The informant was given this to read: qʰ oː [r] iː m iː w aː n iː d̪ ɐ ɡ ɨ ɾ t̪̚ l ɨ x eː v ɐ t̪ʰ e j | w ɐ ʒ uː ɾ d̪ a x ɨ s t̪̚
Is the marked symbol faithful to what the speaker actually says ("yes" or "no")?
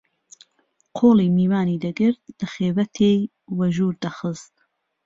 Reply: no